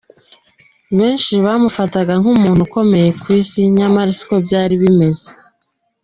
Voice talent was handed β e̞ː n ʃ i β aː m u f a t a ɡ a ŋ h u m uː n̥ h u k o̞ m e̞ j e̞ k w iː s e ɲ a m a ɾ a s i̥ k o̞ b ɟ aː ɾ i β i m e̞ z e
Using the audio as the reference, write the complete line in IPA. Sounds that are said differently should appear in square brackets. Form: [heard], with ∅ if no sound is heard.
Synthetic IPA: β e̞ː n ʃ i β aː m u f a t a ɡ a ŋ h u m uː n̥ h u k o̞ m e̞ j e̞ k w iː s [i] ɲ a m a ɾ [i] s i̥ k o̞ b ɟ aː ɾ i β i m e̞ z e